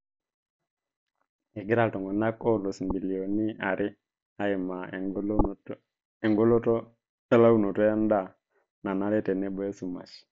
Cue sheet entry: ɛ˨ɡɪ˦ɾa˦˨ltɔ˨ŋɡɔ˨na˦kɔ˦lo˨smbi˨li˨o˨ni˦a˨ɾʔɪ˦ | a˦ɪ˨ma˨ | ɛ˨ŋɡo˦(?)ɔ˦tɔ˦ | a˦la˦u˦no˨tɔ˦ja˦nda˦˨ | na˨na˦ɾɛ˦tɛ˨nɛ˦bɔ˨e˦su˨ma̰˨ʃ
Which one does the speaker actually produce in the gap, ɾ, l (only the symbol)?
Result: l